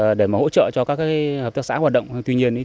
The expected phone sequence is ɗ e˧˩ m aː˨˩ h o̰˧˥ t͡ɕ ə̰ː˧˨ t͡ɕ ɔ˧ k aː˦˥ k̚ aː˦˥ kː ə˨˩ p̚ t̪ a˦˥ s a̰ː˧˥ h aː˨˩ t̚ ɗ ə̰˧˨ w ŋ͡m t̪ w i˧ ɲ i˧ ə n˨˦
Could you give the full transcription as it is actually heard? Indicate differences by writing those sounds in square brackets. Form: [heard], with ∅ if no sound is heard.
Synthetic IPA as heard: ɗ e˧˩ m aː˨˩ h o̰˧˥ t͡ɕ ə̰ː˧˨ t͡ɕ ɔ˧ k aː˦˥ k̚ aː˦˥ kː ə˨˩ p̚ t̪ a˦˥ s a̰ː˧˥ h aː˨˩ t̚ ɗ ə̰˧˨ w ŋ͡m t̪ w i˧ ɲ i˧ ə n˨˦